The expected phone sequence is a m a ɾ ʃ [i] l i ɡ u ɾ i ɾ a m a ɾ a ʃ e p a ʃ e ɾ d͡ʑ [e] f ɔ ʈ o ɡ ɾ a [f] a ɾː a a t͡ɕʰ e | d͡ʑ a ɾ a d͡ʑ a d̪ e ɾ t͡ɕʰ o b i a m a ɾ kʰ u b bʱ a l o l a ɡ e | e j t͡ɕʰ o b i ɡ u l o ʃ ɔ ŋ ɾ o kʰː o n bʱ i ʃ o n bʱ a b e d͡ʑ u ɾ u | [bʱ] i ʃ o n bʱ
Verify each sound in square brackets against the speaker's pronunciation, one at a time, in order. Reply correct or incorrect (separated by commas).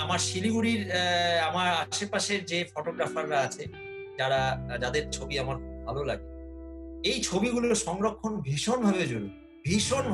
correct, correct, correct, correct